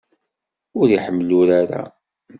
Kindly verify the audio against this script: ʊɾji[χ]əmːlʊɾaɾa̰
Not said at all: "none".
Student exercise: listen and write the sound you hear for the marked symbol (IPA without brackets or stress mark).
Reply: ħ